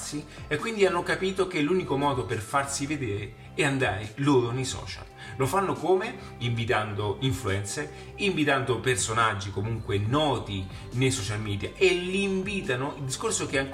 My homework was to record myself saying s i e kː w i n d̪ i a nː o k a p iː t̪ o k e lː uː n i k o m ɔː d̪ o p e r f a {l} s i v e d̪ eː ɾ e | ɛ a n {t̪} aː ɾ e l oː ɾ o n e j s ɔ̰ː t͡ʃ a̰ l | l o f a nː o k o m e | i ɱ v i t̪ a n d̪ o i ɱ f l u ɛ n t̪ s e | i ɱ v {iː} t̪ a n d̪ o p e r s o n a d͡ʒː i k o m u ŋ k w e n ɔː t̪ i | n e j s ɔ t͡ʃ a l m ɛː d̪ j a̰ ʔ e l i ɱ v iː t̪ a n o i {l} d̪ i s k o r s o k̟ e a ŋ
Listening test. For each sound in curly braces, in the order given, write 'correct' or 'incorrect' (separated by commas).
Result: incorrect, incorrect, incorrect, correct